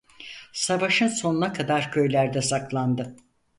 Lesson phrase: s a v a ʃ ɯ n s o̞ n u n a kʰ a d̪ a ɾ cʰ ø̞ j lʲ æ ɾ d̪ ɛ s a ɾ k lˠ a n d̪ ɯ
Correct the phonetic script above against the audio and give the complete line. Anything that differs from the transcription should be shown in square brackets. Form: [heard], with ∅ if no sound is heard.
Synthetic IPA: s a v a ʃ ɯ n s o̞ n u n a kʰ a d̪ a ɾ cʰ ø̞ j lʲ æ ɾ d̪ ɛ s a [∅] k lˠ a n d̪ ɯ